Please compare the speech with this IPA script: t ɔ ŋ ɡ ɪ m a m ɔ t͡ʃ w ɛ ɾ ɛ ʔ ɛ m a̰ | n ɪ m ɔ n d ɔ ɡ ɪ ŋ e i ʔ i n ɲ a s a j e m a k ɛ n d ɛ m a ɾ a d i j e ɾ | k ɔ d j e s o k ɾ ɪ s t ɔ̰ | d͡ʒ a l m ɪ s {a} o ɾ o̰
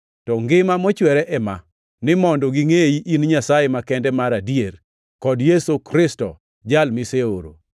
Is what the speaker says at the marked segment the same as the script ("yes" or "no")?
no